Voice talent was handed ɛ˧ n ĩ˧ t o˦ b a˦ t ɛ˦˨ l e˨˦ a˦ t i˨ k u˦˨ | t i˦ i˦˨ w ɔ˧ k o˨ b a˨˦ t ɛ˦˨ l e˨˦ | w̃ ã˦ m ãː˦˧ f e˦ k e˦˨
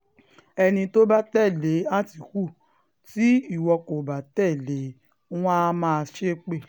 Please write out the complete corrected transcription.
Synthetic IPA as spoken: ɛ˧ n ĩ˧ t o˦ b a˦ t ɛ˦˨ l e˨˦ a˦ t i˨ k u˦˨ | t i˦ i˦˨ w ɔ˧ k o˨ b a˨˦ t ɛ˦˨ l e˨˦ | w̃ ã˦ m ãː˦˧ ʃ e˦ k͡p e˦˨